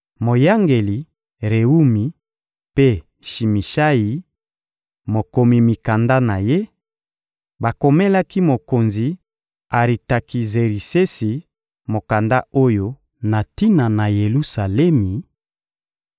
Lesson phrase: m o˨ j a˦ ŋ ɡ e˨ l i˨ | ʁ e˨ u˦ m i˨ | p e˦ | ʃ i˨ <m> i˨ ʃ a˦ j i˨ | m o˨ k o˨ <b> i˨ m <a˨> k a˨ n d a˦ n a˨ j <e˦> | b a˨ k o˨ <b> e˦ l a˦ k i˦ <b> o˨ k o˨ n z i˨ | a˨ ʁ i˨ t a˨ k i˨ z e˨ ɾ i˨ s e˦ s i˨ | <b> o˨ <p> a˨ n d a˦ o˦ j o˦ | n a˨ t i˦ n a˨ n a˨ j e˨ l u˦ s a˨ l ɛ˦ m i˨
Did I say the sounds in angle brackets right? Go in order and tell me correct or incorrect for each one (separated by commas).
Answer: correct, incorrect, incorrect, correct, incorrect, incorrect, incorrect, incorrect